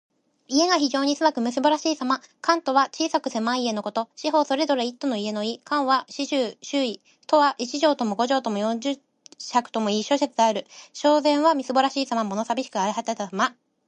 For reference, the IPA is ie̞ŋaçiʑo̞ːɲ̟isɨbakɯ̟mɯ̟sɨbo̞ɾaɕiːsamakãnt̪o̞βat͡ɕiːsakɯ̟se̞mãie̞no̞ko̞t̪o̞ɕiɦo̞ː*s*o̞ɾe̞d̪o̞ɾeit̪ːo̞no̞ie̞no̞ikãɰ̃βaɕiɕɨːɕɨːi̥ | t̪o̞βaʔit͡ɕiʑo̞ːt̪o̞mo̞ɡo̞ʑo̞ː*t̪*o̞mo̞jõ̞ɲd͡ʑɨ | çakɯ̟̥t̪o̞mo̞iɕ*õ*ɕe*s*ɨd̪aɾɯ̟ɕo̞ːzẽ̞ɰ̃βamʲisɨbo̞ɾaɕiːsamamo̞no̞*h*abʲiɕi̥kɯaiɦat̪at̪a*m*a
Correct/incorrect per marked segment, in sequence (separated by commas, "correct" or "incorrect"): correct, correct, incorrect, incorrect, incorrect, correct